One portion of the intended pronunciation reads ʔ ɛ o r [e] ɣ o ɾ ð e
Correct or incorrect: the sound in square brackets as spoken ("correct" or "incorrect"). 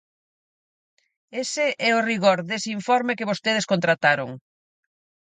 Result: incorrect